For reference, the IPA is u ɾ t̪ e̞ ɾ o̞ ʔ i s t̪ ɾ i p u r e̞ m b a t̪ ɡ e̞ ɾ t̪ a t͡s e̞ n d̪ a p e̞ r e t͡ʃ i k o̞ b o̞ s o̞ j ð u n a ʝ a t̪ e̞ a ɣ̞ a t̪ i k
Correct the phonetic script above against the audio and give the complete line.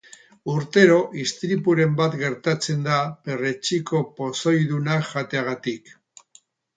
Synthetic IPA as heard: u ɾ t̪ e̞ ɾ o̞ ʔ i s t̪ ɾ i p u ɾ e̞ m b a t̪ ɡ e̞ ɾ t̪ a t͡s e̞ n d̪ a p e̞ r e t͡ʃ i k o̞ p o̞ s o̞ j ð u n a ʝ a t̪ e̞ a ɣ̞ a t̪ i k